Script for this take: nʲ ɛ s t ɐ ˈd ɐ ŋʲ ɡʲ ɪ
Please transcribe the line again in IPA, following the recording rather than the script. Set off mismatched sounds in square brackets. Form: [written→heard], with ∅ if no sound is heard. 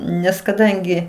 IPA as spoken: nʲ ɛ s [t→k] ɐ ˈd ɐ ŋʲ ɡʲ ɪ